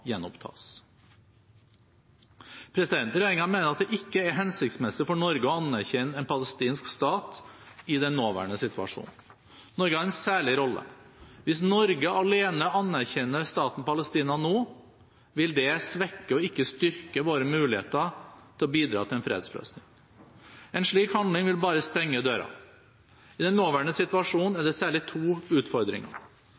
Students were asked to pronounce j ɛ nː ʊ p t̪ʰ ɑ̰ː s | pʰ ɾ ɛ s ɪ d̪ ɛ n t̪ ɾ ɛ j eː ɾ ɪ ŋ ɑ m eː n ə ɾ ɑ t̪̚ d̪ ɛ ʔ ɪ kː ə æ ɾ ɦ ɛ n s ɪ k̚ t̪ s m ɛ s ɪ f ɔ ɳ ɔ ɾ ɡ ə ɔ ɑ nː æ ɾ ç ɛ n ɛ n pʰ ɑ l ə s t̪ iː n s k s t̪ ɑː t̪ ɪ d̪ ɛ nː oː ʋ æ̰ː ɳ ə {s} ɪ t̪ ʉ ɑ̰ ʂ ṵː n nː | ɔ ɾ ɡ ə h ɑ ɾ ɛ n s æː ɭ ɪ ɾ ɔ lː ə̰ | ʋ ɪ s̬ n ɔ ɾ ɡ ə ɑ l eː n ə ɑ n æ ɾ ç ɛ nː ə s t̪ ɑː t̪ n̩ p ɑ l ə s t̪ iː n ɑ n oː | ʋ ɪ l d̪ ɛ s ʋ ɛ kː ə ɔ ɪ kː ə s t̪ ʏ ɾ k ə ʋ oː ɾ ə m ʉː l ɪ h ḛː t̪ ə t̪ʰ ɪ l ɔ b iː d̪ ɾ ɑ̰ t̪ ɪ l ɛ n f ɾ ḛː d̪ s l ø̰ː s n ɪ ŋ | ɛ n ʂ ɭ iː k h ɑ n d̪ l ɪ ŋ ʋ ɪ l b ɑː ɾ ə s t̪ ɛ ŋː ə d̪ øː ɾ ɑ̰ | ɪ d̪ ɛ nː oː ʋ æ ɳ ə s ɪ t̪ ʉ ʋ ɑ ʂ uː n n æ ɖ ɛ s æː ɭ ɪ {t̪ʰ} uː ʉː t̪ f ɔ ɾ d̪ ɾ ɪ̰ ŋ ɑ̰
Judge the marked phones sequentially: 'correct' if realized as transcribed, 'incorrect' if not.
correct, correct

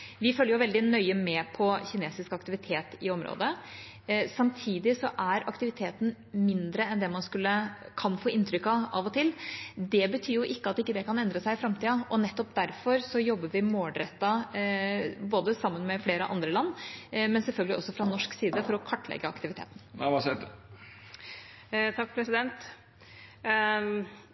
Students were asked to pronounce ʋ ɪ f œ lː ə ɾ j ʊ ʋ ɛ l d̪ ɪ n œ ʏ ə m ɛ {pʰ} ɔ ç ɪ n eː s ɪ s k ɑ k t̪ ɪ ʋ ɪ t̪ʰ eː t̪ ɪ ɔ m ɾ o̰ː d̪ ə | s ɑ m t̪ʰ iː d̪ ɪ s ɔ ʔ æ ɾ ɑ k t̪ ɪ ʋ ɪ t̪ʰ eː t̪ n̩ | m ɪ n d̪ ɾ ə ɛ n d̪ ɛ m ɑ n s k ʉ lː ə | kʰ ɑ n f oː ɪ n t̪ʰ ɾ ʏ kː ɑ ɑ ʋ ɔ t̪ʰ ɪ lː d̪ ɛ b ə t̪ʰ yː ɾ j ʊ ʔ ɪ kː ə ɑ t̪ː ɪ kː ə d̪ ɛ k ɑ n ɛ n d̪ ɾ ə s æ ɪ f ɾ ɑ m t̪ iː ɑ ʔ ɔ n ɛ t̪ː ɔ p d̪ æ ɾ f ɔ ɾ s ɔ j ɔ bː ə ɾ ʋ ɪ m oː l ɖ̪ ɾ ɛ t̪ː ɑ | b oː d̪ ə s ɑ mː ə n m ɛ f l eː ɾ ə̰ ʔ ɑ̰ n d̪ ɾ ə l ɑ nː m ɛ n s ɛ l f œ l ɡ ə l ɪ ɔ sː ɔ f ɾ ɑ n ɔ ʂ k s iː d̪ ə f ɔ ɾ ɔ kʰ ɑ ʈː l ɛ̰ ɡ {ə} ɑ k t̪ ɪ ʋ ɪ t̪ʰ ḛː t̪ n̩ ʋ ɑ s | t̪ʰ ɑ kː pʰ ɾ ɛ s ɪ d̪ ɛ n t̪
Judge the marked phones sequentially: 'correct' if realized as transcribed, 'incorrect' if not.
correct, correct

